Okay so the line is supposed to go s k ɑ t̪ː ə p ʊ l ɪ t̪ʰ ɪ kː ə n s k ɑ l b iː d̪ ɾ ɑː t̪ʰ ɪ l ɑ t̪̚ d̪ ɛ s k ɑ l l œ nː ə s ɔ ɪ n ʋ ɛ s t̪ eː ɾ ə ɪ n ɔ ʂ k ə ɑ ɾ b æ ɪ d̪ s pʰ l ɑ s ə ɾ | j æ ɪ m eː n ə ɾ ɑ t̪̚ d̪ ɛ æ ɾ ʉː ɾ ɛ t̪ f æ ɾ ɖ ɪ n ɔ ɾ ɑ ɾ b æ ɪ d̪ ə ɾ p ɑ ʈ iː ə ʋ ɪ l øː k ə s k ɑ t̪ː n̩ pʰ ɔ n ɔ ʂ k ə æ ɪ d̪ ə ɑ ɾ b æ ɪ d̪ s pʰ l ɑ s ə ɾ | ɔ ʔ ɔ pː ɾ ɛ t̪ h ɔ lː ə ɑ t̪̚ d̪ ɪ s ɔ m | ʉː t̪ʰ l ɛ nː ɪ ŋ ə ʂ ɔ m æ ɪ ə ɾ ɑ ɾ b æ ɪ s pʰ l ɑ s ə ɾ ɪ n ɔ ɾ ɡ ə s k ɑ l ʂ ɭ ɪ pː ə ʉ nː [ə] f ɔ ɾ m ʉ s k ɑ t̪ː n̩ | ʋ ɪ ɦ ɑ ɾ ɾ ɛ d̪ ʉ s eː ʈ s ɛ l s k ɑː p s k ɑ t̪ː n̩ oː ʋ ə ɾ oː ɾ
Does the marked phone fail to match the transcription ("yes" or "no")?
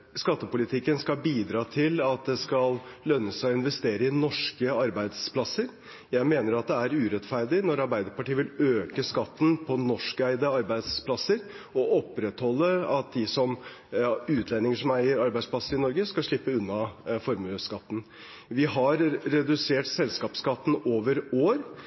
yes